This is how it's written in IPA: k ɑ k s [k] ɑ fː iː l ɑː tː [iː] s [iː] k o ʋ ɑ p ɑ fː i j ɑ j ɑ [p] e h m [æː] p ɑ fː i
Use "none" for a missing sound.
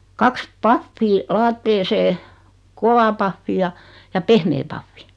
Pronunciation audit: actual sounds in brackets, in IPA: p, eː, eː, p, eː

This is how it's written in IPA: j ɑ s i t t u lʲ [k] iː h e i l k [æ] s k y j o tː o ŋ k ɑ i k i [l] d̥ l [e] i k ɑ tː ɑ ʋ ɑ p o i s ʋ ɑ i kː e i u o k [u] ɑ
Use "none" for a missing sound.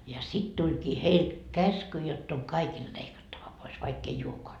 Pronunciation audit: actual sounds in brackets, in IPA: k, æ, l, e, o

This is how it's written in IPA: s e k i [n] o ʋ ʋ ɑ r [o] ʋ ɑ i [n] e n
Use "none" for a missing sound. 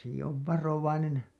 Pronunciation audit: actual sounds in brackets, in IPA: none, o, n

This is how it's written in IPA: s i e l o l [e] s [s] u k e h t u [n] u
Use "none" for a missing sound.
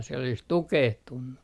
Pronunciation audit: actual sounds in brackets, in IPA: i, t, nː

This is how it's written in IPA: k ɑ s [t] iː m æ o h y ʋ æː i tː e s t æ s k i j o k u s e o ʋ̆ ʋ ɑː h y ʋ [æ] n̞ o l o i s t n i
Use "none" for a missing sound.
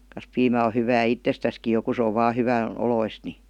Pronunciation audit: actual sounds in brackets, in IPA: p, æ

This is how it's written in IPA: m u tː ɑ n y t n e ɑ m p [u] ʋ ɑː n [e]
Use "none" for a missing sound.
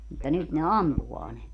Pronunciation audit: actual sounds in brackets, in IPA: u, e

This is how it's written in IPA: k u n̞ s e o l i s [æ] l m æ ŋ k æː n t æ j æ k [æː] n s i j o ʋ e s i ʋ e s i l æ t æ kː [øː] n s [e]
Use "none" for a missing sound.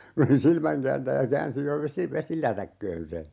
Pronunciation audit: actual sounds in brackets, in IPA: i, æː, øː, e

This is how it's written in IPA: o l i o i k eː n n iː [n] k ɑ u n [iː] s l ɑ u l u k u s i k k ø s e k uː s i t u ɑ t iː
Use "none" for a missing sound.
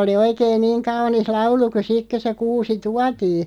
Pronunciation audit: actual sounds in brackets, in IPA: ŋ, i

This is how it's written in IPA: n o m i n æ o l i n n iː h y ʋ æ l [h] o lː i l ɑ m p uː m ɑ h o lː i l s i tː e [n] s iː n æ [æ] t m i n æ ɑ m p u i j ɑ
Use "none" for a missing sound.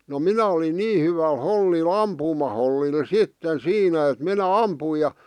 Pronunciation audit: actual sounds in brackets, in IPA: h, n, e

